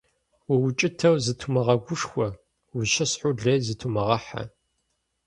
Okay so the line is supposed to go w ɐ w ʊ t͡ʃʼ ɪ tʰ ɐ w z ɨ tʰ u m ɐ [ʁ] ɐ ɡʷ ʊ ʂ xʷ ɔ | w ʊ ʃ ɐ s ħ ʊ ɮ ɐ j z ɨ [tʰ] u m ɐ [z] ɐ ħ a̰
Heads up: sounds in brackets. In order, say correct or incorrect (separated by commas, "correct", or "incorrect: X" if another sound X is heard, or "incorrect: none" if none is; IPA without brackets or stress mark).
correct, correct, incorrect: ʁ